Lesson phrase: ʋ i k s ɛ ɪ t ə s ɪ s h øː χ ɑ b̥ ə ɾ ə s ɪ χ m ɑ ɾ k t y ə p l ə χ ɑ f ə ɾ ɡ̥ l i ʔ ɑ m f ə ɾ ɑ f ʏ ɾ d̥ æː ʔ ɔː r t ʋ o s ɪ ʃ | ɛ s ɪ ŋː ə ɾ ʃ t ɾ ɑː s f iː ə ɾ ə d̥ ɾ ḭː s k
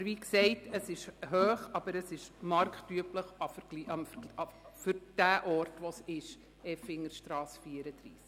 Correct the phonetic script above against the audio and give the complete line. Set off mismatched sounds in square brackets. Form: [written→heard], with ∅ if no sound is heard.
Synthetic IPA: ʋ i k s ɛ ɪ t ə s ɪ [s→ʃ] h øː χ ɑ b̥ ə ɾ ə s ɪ [χ→ʃ] m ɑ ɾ k t y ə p l ə χ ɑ f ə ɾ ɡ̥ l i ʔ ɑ m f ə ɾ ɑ f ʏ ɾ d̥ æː ʔ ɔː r t ʋ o s ɪ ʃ | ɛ [s→f] ɪ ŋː ə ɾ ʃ t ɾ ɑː s f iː ə ɾ ə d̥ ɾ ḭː s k